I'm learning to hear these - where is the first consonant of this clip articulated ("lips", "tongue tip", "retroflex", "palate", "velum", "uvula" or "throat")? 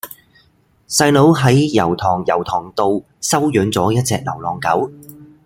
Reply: tongue tip